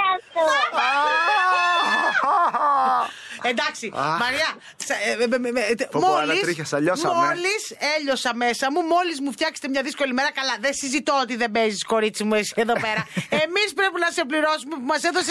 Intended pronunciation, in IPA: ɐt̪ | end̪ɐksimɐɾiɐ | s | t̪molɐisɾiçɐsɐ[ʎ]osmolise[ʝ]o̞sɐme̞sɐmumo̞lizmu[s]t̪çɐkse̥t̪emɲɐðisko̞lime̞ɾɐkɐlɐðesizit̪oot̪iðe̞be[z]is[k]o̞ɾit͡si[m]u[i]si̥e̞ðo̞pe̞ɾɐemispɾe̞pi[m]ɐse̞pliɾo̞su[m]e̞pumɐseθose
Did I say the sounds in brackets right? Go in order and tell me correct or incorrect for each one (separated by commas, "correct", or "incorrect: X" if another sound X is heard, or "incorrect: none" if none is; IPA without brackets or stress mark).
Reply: correct, incorrect: ʎ, incorrect: f, correct, correct, correct, incorrect: e, incorrect: n, correct